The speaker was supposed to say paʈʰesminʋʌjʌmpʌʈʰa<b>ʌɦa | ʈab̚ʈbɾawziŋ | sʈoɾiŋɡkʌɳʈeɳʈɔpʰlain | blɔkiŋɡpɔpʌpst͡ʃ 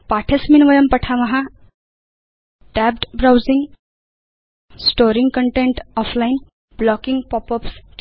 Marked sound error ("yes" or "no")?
yes